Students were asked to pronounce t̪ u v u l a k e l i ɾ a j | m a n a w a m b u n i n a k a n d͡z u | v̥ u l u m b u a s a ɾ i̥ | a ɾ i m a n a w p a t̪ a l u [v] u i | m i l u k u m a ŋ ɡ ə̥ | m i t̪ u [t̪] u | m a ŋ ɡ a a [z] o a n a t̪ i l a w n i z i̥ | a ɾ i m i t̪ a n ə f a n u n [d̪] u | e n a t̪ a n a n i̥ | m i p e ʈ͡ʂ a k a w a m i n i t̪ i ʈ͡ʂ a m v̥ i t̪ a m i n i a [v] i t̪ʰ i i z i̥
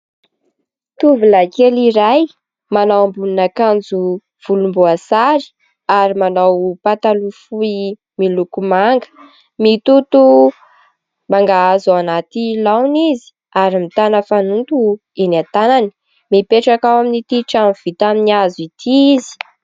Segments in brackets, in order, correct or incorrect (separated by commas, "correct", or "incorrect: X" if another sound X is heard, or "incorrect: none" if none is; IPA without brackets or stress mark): incorrect: f, correct, correct, incorrect: t̪, incorrect: z